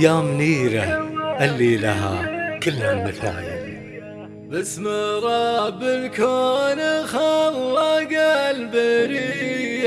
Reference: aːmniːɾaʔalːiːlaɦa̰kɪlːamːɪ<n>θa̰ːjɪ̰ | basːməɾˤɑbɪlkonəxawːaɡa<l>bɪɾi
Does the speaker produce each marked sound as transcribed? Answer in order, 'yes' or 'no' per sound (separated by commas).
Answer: no, yes